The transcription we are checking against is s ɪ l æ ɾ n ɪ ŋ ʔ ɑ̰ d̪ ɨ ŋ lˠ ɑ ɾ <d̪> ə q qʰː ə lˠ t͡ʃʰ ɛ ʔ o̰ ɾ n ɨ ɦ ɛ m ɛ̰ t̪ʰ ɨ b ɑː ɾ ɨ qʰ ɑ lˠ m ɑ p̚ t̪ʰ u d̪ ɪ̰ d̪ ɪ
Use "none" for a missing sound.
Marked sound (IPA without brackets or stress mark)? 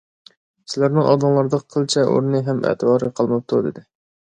d̪